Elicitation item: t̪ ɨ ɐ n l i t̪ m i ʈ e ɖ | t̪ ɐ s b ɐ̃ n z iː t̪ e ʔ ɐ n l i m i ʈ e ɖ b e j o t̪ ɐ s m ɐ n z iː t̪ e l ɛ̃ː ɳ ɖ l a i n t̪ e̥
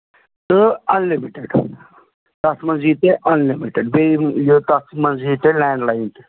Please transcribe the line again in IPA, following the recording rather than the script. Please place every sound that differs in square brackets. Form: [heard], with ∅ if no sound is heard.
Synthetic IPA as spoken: t̪ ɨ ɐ n l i [∅] m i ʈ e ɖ | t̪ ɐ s [m] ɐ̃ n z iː t̪ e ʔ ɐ n l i m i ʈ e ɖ b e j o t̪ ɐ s m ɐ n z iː t̪ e l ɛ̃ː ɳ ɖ l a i n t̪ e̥